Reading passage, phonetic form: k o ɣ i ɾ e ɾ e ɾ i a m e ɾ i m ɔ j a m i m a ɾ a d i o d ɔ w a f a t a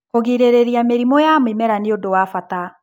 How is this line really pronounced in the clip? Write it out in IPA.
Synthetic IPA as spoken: k o ɣ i ɾ e ɾ e ɾ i a m e ɾ i m ɔ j a m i m ɛ ɾ a n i o d o w a f a t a